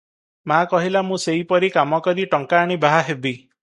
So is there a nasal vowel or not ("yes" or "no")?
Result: yes